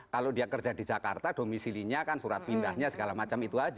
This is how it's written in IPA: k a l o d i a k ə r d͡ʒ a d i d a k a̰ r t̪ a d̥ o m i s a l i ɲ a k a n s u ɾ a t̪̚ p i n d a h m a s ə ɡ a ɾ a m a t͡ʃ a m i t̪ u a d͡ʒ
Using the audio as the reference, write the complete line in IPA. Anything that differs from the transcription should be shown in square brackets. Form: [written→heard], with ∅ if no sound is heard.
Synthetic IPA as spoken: k a l o d i a k ə r d͡ʒ a d i [d→d͡ʒ] a k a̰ r t̪ a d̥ o m i s [a→i] l i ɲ a k a n s u ɾ a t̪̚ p i n d a h [m→ɲ] a s ə ɡ a [ɾ→l] a m a t͡ʃ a m i t̪ u a d͡ʒ